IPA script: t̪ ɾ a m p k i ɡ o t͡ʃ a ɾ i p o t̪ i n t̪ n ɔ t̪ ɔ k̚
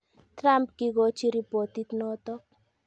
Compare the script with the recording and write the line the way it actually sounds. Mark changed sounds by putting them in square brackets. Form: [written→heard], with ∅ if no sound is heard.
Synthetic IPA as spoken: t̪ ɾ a m p k i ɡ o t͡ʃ [a→i] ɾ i p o t̪ i [n→∅] t̪ n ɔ t̪ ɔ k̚